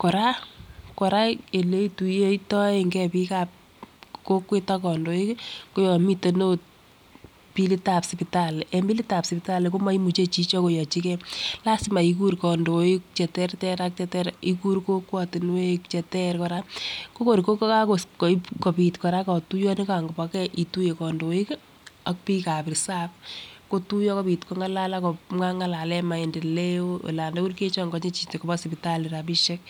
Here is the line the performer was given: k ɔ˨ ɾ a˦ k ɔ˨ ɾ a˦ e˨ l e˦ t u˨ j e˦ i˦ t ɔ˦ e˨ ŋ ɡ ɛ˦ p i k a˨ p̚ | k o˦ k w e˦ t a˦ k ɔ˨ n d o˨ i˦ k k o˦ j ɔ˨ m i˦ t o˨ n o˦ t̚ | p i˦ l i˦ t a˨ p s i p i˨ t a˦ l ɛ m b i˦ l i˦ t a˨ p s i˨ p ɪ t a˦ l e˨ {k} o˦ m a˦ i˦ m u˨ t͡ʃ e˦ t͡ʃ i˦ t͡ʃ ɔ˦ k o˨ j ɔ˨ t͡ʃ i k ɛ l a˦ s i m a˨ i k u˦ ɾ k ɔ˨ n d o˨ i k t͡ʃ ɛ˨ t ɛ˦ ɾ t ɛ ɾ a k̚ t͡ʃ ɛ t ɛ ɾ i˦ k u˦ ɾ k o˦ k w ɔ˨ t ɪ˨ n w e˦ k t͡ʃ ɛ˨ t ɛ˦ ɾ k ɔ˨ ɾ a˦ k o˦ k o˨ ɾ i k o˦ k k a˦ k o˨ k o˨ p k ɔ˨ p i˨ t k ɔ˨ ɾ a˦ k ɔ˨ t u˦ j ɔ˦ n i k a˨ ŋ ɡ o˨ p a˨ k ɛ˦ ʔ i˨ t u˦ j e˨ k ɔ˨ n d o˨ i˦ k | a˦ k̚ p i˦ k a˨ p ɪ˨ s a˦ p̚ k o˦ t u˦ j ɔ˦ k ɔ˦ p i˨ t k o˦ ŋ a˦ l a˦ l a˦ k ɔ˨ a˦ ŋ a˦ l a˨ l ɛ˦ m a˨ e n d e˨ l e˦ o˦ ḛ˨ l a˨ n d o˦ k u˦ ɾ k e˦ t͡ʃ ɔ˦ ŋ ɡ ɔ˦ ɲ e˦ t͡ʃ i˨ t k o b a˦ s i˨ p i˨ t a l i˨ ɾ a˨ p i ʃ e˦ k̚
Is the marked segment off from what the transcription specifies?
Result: no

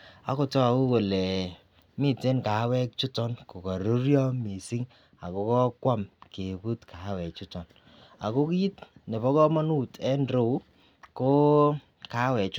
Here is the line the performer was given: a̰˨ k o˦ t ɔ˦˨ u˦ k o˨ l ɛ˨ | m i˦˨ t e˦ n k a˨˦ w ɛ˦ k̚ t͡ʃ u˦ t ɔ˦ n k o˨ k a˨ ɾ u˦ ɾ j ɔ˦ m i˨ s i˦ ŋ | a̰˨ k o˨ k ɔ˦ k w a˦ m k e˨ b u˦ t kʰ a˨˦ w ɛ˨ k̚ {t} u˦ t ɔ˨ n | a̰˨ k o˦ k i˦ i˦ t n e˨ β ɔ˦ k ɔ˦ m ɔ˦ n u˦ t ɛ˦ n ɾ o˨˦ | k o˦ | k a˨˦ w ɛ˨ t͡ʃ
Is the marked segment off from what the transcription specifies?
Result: yes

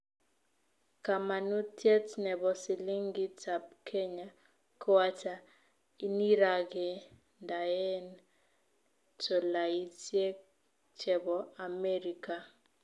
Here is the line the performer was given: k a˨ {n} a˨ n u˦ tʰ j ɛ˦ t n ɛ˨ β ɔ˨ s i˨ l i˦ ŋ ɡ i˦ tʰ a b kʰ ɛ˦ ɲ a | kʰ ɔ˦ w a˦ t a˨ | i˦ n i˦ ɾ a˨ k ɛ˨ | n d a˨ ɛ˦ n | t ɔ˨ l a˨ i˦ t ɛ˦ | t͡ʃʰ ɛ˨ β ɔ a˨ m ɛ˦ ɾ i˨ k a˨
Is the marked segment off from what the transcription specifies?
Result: yes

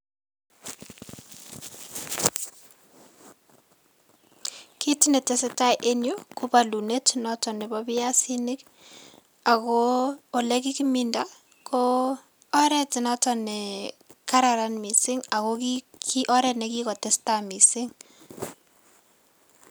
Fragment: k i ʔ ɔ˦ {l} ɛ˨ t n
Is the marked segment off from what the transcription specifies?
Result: yes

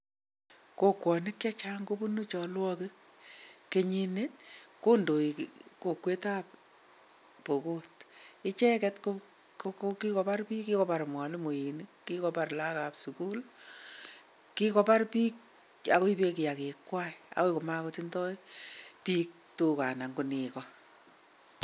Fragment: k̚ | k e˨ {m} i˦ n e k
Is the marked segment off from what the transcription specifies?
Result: yes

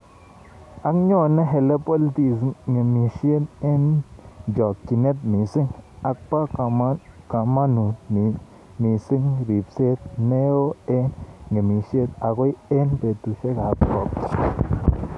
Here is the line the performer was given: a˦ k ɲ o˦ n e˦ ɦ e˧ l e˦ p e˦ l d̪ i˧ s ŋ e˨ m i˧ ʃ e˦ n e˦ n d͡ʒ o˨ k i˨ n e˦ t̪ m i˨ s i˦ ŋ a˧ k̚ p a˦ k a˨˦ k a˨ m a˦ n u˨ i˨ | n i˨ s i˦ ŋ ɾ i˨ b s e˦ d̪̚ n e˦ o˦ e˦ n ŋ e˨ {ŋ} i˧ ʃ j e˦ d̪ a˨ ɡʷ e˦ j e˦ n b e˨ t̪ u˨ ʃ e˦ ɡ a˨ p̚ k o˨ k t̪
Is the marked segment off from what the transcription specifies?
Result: yes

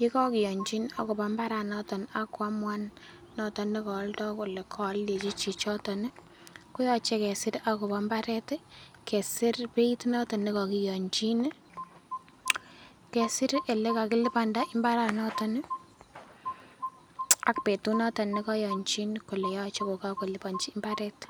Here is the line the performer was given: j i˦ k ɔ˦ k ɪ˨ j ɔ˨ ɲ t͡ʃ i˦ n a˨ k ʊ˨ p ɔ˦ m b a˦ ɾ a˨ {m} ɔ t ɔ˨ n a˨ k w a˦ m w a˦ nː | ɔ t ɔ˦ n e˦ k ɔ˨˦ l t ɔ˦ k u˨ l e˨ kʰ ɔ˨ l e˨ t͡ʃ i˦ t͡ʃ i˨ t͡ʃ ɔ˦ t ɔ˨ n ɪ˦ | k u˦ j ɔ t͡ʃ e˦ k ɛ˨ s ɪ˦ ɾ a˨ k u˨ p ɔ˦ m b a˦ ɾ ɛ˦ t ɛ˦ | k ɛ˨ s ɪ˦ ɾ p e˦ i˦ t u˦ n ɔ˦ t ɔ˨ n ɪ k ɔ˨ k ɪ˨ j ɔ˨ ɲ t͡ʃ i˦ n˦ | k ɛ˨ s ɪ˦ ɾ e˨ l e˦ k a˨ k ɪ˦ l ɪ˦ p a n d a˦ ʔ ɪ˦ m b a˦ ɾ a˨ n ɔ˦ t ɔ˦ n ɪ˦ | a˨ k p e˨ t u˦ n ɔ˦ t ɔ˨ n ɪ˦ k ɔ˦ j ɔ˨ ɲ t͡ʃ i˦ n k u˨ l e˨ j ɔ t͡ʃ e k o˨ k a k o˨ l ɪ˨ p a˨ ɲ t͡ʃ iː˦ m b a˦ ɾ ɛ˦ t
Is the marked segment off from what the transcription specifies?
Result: yes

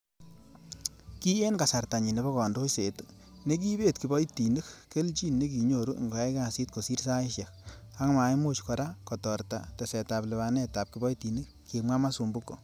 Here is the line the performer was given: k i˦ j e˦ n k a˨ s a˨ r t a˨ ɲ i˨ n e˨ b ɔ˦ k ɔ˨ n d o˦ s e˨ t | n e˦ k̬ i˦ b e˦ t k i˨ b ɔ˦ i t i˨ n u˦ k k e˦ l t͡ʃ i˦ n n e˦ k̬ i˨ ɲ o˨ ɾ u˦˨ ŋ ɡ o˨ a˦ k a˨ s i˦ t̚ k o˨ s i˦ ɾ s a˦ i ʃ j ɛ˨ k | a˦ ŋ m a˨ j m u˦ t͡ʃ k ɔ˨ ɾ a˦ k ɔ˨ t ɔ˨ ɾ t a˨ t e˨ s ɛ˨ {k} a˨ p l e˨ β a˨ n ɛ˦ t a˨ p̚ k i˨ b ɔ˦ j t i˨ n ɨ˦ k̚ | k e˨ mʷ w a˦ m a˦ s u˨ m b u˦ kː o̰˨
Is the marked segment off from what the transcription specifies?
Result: yes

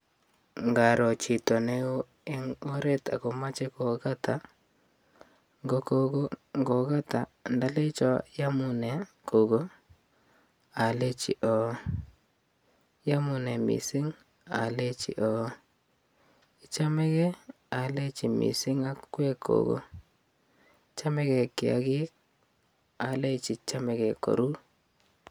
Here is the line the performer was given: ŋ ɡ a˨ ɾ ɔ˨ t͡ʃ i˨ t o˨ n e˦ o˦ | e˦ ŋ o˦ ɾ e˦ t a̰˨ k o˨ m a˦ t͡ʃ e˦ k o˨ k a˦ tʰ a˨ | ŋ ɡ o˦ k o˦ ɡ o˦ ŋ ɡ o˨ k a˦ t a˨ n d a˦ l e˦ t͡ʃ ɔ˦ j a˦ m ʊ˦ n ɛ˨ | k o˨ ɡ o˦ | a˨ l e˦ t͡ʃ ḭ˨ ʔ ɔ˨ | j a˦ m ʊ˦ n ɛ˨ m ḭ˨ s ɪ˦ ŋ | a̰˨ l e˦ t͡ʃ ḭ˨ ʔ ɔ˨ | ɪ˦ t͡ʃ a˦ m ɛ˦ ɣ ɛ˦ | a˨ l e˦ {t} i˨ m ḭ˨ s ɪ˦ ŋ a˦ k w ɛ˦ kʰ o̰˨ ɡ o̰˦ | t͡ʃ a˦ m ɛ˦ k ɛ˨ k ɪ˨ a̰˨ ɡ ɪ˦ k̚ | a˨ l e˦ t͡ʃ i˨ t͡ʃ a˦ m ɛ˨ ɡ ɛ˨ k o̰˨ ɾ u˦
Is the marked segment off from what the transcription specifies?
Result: yes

